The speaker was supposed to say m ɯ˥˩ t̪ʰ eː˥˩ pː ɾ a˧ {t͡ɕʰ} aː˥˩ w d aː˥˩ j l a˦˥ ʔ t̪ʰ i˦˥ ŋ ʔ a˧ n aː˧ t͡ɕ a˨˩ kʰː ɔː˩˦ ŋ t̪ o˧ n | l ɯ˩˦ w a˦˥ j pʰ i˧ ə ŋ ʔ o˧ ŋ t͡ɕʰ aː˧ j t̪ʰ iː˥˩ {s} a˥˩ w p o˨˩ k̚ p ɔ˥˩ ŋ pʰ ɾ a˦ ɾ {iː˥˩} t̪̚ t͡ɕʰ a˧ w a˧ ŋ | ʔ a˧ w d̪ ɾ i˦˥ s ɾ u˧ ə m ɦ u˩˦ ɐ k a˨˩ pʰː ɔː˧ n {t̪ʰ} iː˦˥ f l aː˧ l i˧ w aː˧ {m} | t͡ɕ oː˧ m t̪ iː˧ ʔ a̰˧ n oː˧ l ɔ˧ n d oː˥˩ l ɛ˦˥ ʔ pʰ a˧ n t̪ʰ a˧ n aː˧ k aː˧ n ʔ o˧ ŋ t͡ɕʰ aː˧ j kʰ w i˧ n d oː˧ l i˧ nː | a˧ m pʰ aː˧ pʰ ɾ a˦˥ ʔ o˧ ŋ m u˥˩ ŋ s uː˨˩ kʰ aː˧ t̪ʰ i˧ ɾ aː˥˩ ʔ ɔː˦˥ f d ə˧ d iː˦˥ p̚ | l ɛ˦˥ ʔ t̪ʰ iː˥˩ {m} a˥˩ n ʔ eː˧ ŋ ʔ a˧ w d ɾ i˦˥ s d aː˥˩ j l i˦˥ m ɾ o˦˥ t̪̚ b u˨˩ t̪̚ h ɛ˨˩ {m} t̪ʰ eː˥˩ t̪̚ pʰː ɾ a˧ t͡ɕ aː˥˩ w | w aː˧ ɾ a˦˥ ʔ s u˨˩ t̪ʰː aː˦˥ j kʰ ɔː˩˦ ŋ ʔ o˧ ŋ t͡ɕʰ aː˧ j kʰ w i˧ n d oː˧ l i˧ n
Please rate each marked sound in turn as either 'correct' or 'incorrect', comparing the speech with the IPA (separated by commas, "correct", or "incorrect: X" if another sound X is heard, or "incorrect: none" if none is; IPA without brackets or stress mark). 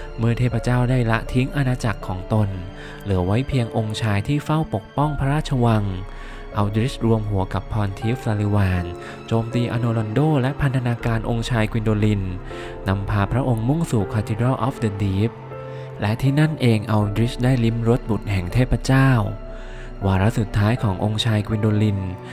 incorrect: t͡ɕ, incorrect: f, incorrect: aː˥˩, correct, incorrect: n, incorrect: n, incorrect: ŋ